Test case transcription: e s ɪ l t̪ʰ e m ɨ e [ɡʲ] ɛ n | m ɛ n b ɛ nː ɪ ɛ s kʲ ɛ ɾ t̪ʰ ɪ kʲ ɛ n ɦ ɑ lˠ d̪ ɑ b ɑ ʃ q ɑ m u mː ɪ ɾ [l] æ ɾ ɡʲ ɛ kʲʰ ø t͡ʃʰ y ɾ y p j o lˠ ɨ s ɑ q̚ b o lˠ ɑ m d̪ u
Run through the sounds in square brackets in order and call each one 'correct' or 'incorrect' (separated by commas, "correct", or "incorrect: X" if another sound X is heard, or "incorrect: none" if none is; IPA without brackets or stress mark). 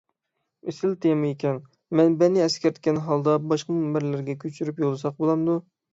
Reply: incorrect: kʲ, correct